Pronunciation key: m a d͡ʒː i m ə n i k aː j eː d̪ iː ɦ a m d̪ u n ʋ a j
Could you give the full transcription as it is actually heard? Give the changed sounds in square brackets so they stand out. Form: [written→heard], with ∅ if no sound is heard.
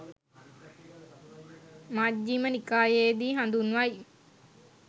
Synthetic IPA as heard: m a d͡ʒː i m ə n i k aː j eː d̪ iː ɦ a [m→n] d̪ u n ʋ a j